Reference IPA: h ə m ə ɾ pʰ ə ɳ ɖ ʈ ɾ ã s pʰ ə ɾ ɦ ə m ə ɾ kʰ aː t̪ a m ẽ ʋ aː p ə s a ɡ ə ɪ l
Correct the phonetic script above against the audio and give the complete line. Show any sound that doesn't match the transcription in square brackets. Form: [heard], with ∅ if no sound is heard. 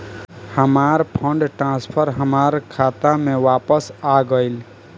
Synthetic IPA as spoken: h ə m [a] ɾ pʰ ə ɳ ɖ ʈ ɾ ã s pʰ ə ɾ ɦ ə m [a] ɾ kʰ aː t̪ a m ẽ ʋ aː p ə s a ɡ ə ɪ l